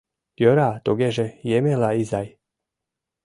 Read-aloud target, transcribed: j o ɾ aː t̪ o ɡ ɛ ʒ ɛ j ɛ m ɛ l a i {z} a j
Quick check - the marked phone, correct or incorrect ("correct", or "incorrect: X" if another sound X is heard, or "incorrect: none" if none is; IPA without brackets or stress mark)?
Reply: correct